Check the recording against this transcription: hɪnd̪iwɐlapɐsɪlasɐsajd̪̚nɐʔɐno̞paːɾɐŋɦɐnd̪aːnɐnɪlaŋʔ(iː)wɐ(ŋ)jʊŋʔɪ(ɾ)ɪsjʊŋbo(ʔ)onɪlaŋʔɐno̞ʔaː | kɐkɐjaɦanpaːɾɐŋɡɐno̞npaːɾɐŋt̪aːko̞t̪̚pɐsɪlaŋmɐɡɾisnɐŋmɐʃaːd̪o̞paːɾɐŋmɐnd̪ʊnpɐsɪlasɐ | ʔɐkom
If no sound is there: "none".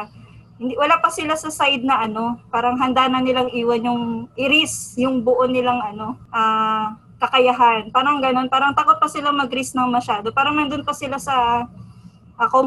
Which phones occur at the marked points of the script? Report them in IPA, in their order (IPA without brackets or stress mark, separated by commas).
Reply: iː, n, ɾ, ʔ